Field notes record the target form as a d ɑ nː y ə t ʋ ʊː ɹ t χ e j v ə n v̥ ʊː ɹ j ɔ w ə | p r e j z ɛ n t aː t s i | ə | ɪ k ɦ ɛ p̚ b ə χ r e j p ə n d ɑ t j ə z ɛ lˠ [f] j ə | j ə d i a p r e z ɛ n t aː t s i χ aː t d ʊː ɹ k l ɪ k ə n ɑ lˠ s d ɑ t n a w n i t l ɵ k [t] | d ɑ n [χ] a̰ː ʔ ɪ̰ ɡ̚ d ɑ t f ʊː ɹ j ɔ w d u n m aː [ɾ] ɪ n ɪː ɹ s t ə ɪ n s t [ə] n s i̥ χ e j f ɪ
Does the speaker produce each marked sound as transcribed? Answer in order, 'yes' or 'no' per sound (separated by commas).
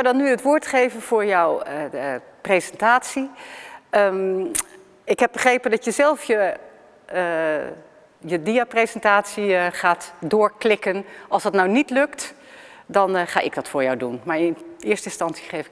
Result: yes, yes, yes, no, no